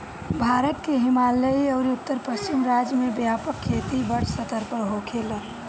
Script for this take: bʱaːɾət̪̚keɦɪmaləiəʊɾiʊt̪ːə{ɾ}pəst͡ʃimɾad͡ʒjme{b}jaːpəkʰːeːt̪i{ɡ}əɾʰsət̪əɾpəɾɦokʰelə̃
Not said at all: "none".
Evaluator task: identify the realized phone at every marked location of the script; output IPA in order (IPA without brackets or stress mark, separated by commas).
ɾ, b, b